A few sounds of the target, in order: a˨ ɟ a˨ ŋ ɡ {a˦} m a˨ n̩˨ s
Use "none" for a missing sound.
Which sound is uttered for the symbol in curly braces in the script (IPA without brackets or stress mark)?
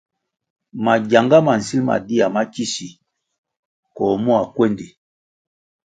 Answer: a˦